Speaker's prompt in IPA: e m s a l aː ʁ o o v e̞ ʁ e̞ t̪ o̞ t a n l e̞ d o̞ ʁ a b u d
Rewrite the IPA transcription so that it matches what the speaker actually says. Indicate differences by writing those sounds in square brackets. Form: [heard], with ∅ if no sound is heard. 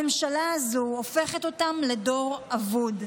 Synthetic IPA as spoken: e m [ʃ] a l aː [z] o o [f] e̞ [χ] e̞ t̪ o̞ t a [m] l e̞ d o̞ ʁ a [v] u d